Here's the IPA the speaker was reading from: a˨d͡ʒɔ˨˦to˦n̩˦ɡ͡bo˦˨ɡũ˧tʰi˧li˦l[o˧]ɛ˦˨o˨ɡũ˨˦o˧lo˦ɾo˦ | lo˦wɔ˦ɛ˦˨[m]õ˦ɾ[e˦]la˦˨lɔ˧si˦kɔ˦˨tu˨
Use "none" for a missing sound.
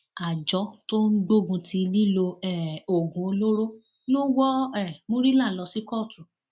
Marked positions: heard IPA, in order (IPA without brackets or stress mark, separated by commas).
o˧, m, i˦